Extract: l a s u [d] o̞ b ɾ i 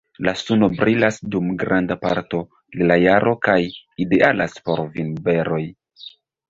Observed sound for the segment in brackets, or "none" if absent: n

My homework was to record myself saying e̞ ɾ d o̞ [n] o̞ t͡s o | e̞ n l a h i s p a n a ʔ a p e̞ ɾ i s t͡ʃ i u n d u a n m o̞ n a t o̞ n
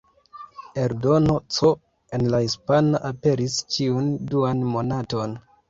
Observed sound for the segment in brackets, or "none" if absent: n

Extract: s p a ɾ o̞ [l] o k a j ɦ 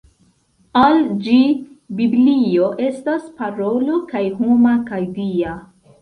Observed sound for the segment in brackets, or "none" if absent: l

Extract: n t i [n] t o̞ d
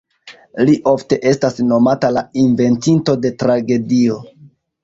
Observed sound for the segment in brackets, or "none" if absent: n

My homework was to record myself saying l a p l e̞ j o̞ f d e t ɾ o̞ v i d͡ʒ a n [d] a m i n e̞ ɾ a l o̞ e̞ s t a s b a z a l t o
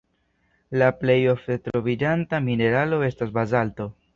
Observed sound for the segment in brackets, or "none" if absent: t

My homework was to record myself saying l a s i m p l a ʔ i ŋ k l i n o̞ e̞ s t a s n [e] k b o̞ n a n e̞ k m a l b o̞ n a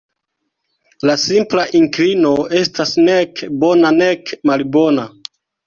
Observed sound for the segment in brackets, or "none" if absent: e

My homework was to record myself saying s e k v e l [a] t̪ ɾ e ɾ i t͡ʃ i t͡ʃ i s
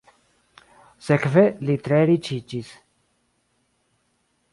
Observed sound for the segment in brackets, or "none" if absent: i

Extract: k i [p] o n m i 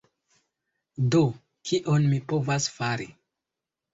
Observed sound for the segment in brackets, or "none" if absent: ʔ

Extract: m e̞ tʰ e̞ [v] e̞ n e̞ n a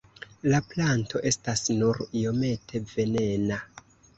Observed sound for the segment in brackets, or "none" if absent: v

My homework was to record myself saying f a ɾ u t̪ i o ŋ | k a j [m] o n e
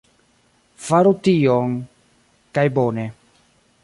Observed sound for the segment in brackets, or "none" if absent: b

